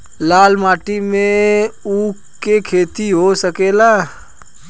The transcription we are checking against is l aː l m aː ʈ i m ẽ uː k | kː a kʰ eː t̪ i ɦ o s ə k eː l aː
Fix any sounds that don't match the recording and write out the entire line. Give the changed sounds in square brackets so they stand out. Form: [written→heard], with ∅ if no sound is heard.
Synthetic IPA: l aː l m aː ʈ i m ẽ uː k | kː [a→e] kʰ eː t̪ i ɦ o s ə k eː l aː